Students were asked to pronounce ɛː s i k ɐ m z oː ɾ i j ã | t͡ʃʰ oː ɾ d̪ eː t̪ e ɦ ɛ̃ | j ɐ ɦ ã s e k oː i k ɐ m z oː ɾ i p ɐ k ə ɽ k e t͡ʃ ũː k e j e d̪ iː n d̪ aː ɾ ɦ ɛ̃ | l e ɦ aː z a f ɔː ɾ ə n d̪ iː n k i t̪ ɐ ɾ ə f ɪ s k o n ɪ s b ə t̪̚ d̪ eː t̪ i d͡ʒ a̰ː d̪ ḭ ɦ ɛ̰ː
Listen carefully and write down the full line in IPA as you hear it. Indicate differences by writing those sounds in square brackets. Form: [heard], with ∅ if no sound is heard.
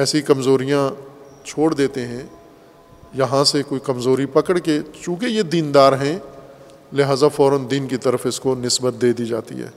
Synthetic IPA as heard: ɛː s i k ɐ m z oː ɾ i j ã | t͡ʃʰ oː [ɽ] d̪ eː t̪ e ɦ ɛ̃ | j ɐ ɦ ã s e k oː i k ɐ m z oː ɾ i p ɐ k ə ɽ k e t͡ʃ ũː k e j e d̪ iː n d̪ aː ɾ ɦ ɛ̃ | l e ɦ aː z a f ɔː ɾ ə n d̪ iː n k i t̪ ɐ ɾ ə f ɪ s k o n ɪ s b ə t̪̚ d̪ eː [d̪] i d͡ʒ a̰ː [t̪] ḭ ɦ ɛ̰ː